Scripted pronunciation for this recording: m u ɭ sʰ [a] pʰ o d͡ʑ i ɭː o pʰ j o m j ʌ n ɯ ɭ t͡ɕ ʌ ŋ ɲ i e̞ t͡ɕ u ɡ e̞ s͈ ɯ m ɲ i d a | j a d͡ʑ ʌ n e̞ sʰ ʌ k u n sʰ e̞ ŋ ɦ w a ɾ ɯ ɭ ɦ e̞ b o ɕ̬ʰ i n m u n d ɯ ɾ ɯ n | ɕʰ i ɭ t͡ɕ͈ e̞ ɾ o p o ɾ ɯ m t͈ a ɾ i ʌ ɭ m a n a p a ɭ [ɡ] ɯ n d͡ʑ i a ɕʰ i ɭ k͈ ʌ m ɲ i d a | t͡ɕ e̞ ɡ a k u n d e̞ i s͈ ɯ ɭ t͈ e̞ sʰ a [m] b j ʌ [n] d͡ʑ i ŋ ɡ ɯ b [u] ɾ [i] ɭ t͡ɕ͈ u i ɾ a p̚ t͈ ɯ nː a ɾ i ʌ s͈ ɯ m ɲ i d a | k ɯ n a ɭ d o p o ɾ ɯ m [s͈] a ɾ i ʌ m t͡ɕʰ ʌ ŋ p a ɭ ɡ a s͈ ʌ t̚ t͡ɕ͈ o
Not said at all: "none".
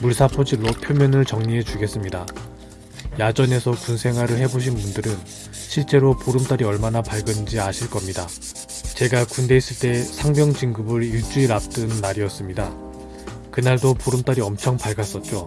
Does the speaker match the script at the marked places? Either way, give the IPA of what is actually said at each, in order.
a, ɡ, ŋ, ŋ, ɯ, i, t͈

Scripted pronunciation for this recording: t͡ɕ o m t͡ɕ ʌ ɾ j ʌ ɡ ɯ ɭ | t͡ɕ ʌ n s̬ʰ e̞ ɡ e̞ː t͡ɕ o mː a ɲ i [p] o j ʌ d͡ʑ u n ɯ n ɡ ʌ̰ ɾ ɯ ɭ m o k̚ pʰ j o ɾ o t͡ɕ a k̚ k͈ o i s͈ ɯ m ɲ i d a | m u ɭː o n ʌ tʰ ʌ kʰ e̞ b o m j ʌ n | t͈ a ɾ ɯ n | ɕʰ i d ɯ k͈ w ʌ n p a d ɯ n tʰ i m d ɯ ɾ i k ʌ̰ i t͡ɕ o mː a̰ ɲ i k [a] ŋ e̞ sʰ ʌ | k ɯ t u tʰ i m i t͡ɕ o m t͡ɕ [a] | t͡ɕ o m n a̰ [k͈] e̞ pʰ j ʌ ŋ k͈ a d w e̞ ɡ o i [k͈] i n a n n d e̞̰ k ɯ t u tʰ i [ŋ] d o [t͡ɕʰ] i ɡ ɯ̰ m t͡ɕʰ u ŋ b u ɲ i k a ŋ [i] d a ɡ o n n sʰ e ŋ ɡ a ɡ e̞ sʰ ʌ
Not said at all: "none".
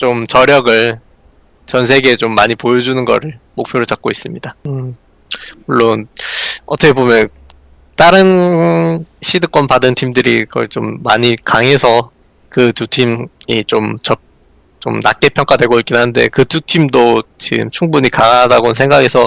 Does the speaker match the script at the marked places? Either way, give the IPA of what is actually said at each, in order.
p, a, ʌ, k͈, k͈, m, t͡ɕ, a

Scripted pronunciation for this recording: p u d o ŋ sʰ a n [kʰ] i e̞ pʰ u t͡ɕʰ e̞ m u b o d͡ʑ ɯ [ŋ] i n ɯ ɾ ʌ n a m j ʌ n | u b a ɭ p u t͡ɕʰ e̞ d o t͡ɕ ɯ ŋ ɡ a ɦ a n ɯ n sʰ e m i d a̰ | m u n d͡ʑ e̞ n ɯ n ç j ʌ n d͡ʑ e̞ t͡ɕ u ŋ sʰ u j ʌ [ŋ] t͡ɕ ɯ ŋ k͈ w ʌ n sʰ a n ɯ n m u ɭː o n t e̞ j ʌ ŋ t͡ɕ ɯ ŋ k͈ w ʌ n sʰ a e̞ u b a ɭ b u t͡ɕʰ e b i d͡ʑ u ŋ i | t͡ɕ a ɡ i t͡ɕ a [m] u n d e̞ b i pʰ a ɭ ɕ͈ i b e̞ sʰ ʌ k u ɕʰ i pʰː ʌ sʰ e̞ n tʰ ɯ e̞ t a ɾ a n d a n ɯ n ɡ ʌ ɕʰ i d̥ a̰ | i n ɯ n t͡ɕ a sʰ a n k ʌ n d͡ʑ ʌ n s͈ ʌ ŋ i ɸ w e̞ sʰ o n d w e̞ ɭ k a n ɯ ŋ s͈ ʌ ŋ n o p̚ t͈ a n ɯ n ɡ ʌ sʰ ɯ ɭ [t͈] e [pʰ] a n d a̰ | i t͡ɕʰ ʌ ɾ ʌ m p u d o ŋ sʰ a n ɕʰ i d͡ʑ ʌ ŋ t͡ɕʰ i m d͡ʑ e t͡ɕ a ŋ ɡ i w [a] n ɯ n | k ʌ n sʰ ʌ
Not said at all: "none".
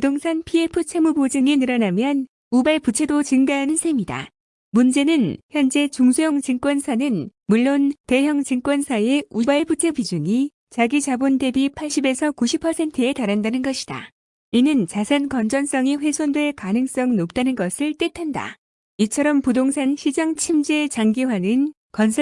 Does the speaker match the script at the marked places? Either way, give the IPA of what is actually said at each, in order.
pʰ, ŋ, ŋ, b, t͈, tʰ, a

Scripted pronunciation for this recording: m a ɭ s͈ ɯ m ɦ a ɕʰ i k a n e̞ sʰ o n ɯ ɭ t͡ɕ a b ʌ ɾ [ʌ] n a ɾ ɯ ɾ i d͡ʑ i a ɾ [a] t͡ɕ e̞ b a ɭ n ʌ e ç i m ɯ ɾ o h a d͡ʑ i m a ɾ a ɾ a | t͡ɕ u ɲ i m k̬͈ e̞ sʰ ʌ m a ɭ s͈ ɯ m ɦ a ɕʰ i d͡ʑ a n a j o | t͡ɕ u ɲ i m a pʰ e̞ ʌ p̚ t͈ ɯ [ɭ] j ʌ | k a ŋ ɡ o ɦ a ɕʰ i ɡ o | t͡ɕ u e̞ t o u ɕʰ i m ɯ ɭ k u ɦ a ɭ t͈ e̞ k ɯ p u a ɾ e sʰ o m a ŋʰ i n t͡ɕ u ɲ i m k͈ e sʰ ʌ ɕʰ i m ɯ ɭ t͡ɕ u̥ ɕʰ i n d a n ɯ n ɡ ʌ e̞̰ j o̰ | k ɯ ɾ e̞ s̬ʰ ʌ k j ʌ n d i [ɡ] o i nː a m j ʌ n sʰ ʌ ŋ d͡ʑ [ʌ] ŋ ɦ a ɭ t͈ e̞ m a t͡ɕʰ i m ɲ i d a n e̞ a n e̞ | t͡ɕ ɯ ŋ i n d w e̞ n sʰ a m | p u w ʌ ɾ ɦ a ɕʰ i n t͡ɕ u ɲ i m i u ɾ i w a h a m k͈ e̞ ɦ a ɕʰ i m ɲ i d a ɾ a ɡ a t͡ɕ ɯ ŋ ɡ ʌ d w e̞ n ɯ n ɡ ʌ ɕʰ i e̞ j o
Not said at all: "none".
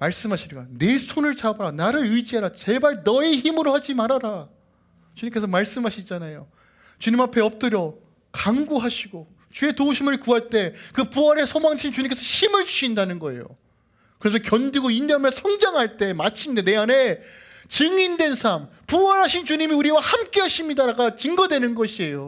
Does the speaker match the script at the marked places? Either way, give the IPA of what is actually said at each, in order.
a, a, ɾ, ɡ, a

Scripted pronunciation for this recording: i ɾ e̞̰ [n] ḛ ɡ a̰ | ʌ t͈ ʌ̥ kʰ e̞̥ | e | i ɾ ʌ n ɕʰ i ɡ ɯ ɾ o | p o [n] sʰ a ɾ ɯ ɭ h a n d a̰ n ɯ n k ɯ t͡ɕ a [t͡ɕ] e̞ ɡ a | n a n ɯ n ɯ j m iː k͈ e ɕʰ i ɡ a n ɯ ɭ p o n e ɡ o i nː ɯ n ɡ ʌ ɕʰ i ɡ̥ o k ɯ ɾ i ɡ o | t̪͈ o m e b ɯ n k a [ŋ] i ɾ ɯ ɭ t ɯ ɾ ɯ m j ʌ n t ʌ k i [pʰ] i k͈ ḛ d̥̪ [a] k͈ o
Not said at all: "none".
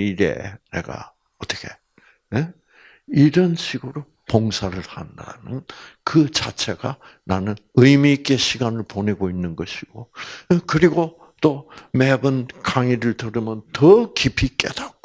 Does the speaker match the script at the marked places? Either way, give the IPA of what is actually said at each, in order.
n, ŋ, t͡ɕʰ, ŋ, pʰ, a

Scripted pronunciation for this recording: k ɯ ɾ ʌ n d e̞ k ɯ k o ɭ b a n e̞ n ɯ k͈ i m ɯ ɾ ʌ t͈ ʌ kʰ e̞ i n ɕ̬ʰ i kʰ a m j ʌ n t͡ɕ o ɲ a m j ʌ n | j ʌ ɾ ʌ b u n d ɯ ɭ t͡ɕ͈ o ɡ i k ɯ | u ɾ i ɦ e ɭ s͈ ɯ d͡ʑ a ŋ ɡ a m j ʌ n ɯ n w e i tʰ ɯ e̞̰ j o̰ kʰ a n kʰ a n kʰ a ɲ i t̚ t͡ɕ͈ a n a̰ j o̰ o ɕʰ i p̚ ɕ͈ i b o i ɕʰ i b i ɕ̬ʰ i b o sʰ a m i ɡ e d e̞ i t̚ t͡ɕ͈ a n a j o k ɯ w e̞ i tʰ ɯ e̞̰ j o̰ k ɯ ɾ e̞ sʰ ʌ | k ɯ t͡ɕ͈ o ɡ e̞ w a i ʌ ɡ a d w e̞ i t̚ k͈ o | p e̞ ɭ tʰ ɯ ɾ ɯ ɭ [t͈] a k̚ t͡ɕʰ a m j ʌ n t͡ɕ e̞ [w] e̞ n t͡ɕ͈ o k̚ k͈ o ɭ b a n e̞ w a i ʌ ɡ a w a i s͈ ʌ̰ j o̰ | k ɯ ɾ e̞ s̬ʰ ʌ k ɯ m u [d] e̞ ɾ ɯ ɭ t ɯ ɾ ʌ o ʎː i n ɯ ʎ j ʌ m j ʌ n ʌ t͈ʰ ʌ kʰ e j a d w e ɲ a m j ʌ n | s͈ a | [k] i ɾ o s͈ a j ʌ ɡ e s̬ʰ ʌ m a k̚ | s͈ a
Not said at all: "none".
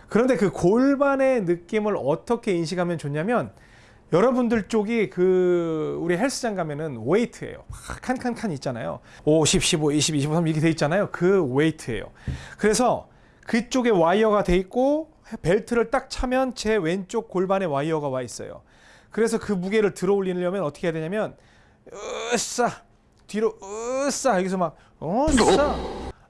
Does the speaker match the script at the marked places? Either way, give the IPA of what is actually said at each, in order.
t͈, w, ɡ, t

